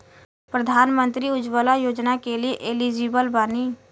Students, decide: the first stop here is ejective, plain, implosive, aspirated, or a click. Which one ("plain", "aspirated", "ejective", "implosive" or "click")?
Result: plain